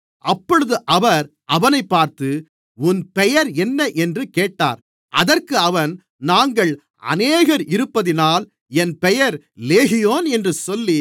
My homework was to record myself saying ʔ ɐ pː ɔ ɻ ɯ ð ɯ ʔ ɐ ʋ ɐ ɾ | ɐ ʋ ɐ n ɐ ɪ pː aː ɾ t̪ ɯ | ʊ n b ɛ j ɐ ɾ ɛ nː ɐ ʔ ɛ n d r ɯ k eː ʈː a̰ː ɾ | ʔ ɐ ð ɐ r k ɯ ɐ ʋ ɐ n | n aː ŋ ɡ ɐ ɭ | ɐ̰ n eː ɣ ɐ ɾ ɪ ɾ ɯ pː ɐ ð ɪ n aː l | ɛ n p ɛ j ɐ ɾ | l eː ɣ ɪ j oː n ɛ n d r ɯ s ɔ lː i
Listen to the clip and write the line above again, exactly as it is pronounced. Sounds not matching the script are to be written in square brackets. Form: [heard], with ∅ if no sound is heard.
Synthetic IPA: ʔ ɐ pː ɔ ɻ ɯ ð ɯ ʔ ɐ ʋ ɐ ɾ | ɐ ʋ ɐ n ɐ ɪ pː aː ɾ t̪ ɯ | ʊ n [p] ɛ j ɐ ɾ ɛ nː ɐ ʔ ɛ n d r ɯ k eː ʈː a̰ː ɾ | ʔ ɐ ð ɐ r k ɯ ɐ ʋ ɐ n | n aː ŋ ɡ ɐ ɭ | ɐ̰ n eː ɣ ɐ ɾ ɪ ɾ ɯ pː ɐ ð ɪ n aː l | ɛ n p ɛ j ɐ ɾ | l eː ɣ ɪ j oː n ɛ n d r ɯ s ɔ lː i